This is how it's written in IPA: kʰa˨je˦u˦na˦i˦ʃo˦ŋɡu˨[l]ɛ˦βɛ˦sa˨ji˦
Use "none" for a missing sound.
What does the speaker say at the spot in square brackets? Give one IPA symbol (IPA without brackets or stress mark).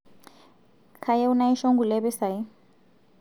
l